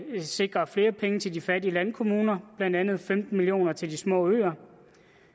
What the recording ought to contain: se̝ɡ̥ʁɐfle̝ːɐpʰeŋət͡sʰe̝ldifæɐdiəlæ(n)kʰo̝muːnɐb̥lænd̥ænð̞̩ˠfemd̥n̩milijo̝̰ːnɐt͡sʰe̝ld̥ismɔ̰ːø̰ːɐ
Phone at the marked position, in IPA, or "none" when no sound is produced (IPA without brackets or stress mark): n